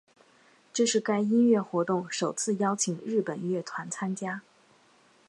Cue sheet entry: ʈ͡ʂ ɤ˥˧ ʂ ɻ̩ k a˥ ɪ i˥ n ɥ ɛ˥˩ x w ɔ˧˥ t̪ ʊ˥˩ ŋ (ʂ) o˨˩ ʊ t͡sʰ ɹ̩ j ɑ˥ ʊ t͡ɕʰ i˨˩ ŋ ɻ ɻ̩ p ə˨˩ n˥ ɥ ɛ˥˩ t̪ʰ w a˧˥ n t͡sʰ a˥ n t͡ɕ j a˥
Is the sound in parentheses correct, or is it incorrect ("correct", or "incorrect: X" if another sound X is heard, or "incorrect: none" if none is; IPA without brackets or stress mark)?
correct